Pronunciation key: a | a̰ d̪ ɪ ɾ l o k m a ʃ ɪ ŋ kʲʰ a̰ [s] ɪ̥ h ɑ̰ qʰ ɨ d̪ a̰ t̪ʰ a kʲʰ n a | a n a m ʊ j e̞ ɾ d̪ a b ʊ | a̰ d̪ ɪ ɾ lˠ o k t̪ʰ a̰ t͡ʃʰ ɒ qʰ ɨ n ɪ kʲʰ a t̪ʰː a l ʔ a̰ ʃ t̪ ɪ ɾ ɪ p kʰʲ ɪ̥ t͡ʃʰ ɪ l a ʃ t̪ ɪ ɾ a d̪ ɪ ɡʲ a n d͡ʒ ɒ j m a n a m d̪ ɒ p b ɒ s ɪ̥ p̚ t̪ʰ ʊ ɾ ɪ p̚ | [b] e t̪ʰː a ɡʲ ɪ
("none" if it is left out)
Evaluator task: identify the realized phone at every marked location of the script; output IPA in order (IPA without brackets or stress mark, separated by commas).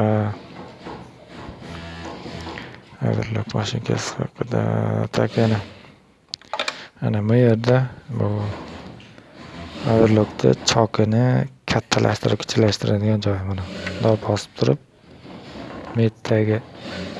s, m